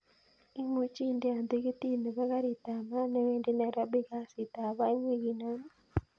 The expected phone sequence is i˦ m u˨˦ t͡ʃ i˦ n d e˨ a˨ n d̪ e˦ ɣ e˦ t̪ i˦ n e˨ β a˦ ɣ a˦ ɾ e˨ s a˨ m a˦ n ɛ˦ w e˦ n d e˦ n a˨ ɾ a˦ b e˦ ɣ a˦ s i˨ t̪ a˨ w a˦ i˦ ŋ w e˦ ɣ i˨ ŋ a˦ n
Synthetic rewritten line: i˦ m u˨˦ t͡ʃ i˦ n d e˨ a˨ n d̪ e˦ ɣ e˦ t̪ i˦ n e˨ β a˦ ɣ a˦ ɾ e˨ t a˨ m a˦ n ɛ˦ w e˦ n d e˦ n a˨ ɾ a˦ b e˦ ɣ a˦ s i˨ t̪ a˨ β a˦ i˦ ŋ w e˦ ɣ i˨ n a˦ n